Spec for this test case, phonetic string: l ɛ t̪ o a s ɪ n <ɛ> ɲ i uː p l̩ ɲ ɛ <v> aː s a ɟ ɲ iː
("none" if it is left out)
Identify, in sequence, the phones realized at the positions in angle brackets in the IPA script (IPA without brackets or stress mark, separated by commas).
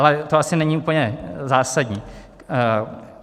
ɛ, z